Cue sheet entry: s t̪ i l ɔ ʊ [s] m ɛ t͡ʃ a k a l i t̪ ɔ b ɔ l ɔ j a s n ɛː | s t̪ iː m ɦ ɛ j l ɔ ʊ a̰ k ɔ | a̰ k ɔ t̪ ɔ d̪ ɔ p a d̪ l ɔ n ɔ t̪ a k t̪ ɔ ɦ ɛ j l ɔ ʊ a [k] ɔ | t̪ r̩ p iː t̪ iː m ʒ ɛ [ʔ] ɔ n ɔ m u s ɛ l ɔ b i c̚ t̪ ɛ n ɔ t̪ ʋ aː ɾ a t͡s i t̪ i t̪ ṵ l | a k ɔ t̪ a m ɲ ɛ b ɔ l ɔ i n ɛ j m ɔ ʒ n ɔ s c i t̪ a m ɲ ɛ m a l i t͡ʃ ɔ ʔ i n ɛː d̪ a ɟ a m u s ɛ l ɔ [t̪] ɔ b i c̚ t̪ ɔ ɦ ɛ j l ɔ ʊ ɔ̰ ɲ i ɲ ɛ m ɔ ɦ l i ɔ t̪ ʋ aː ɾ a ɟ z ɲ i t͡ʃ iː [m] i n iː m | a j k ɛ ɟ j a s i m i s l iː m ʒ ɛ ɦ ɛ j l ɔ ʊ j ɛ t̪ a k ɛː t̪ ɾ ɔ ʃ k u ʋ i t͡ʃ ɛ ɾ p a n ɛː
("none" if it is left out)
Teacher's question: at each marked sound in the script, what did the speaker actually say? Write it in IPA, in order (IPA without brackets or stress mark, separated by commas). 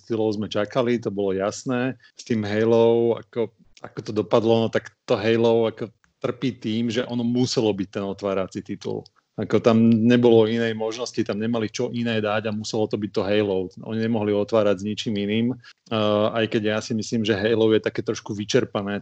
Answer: z, k, ʔ, t̪, m